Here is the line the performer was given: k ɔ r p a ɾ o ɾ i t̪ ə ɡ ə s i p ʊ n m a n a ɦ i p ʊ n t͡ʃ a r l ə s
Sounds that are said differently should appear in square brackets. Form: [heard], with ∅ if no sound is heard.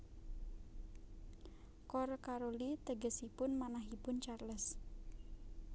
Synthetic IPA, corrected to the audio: k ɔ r [k] a ɾ o [l] i t̪ ə ɡ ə s i p ʊ n m a n a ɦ i p ʊ n t͡ʃ a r l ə s